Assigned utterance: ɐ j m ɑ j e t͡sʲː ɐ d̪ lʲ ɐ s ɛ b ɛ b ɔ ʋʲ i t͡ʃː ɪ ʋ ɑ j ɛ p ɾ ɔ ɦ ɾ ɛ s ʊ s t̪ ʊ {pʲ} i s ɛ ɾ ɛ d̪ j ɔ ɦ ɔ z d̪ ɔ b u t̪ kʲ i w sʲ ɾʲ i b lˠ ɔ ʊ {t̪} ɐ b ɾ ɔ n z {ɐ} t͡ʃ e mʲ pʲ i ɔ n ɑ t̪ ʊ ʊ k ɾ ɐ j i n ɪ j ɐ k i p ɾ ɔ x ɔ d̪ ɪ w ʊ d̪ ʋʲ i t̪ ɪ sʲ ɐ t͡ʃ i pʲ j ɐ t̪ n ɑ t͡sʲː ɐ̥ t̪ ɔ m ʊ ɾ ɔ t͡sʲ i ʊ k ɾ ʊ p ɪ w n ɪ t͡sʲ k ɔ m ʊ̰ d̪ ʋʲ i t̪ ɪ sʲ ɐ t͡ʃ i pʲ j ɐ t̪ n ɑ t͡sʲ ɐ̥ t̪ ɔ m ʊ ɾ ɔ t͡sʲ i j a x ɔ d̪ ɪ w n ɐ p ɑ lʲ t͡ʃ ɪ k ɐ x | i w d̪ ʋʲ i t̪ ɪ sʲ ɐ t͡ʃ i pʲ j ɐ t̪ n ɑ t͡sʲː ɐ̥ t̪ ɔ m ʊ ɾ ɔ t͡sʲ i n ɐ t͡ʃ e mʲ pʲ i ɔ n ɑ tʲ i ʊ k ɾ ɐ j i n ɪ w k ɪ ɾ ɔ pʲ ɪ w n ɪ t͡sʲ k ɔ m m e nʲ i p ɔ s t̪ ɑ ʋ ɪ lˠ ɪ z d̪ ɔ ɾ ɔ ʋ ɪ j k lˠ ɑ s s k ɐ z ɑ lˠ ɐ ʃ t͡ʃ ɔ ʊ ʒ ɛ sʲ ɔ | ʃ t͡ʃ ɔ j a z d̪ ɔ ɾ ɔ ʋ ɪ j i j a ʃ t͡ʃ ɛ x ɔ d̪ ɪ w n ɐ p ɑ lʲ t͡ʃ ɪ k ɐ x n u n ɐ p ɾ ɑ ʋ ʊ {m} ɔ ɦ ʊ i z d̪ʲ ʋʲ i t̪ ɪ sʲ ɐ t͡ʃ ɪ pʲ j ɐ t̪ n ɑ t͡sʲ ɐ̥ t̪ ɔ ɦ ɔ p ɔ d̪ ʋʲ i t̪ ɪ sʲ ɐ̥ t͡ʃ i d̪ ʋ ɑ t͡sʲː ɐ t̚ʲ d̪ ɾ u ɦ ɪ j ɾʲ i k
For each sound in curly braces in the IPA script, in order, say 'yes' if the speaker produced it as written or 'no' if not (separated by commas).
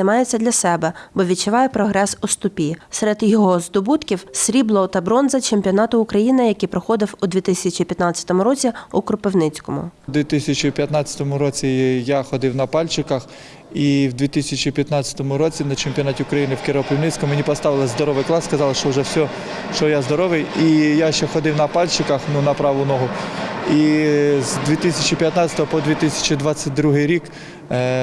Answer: yes, yes, yes, no